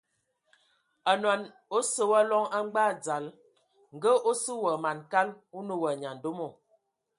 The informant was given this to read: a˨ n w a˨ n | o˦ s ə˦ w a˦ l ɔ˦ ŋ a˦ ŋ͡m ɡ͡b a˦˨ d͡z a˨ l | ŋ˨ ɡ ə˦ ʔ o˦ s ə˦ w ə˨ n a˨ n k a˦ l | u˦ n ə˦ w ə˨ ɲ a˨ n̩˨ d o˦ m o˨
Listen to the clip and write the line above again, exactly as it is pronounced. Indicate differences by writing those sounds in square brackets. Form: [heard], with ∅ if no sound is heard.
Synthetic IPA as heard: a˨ n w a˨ n | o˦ s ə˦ w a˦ l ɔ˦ ŋ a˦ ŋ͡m ɡ͡b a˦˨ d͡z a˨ l | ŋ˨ ɡ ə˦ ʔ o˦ s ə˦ w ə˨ [m] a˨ n k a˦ l | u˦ n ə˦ w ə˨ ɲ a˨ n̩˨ d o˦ m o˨